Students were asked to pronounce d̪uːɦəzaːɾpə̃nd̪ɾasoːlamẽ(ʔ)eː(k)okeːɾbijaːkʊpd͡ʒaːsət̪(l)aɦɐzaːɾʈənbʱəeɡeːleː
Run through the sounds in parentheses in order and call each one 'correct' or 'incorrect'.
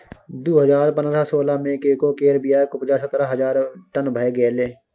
incorrect: k, correct, incorrect: ɾ

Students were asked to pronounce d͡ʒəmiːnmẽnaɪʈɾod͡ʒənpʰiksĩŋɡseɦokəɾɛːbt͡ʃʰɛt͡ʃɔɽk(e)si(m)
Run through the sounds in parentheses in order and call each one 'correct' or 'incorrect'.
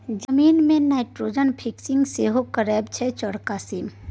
incorrect: a, correct

